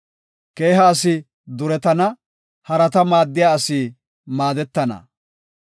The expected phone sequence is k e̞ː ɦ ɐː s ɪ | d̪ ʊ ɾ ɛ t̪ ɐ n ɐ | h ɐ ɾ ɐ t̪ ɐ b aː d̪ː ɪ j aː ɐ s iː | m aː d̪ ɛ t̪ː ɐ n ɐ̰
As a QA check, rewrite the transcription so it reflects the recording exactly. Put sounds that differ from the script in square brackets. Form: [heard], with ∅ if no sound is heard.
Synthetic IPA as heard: k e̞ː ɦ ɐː s ɪ | d̪ ʊ ɾ ɛ t̪ ɐ n ɐ | h ɐ ɾ ɐ t̪ ɐ [m] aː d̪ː ɪ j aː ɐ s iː | m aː d̪ ɛ t̪ː ɐ n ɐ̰